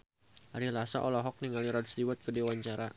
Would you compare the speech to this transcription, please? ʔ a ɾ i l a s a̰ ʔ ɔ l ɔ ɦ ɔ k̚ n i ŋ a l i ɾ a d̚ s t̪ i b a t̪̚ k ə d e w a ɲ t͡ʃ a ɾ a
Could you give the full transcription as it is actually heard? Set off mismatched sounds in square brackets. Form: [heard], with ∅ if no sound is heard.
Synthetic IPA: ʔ a ɾ i l a s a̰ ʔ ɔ l ɔ ɦ ɔ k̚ n i ŋ a l i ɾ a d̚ s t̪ i [w] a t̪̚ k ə d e w a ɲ t͡ʃ a ɾ a